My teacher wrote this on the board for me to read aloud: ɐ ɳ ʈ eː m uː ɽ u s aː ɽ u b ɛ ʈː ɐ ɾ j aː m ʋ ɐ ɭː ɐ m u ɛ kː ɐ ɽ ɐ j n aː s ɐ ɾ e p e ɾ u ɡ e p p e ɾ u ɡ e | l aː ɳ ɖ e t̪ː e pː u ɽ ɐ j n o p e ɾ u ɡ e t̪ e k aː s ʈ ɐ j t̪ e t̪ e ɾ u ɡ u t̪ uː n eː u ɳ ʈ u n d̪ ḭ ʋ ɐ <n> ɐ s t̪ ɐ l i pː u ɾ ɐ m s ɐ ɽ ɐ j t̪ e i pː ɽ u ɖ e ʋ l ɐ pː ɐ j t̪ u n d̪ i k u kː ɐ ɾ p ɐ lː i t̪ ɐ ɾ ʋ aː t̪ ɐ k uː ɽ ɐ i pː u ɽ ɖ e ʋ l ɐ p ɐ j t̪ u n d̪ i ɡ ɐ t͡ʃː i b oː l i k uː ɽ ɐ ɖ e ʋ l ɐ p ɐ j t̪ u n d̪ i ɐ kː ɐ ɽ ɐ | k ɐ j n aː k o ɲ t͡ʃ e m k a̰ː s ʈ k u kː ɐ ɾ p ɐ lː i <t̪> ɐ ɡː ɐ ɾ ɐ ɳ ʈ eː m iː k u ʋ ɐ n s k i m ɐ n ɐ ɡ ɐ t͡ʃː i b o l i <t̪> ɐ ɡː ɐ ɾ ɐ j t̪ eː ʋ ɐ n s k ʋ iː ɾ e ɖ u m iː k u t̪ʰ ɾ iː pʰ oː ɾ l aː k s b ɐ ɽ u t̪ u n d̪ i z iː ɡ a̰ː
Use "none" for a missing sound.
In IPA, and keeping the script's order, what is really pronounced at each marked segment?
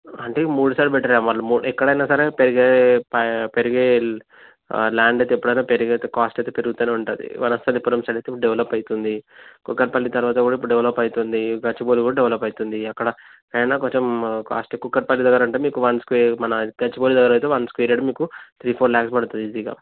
n, d̪, d̪

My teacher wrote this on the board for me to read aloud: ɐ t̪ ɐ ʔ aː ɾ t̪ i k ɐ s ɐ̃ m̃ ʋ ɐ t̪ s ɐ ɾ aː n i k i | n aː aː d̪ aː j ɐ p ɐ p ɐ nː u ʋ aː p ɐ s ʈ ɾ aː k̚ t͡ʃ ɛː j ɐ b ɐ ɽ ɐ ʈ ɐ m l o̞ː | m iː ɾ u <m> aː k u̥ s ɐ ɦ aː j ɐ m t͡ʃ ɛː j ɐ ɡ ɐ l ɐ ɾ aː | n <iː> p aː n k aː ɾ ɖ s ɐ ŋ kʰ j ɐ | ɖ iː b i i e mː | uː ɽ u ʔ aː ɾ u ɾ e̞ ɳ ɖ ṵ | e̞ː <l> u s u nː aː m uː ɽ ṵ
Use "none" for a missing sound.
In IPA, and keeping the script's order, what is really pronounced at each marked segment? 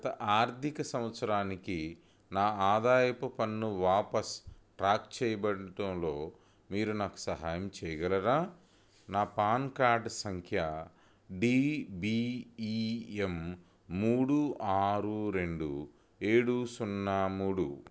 n, aː, ɽ

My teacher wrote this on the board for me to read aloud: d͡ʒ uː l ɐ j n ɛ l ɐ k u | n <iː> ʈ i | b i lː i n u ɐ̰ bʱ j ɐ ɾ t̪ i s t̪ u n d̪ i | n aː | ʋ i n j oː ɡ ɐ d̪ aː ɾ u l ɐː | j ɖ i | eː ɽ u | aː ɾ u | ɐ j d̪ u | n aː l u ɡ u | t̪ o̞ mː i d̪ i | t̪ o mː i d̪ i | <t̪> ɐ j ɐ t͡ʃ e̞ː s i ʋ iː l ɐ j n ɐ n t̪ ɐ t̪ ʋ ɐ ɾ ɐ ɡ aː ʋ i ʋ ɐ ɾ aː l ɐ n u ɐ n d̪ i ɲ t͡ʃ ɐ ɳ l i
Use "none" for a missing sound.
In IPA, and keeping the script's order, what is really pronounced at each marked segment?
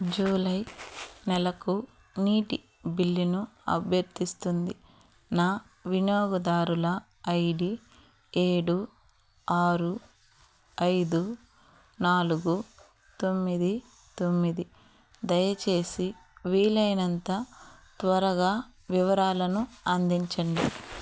iː, d̪

